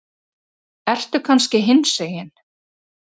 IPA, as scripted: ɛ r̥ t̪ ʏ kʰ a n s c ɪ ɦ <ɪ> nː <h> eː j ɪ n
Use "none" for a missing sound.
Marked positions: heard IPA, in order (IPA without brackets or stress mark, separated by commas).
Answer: ɪ, s